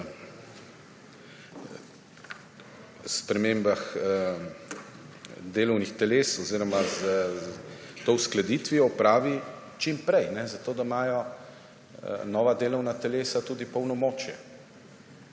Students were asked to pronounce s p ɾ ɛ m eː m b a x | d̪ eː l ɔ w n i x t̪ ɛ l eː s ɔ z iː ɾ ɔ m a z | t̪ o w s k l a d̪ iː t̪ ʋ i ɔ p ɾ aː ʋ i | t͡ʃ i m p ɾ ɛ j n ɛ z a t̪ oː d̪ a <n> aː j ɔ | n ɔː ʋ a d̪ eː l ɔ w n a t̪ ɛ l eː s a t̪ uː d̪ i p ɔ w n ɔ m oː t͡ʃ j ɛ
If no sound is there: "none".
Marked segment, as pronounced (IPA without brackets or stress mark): m